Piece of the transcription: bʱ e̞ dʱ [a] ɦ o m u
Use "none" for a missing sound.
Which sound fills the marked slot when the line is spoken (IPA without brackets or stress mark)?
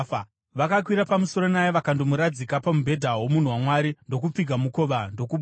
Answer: a